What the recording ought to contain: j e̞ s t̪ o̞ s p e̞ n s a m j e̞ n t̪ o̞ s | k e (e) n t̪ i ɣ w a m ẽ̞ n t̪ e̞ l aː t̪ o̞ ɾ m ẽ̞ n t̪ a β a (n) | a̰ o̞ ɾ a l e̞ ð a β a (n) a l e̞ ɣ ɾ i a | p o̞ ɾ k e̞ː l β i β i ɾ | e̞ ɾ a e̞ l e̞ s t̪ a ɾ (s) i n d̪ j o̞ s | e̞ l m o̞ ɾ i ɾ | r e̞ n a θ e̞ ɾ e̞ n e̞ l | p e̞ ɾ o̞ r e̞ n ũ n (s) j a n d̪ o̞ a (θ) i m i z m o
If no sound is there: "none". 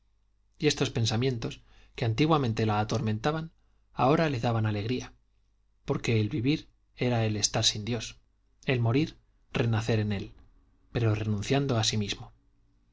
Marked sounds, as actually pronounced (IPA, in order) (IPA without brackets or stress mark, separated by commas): a, n, n, s, θ, s